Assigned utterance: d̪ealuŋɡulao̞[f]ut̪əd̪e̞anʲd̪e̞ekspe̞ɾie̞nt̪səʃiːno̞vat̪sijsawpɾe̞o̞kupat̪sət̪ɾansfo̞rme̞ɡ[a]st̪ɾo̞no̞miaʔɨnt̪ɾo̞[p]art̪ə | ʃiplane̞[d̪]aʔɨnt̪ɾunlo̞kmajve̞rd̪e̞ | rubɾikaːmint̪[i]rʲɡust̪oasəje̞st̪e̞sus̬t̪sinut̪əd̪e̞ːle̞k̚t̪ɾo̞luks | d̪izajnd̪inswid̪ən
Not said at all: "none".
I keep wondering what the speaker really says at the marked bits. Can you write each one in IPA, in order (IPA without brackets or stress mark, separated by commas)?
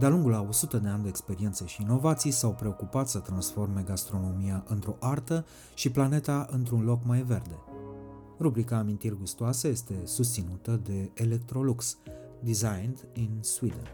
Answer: s, a, ʔ, t̪, i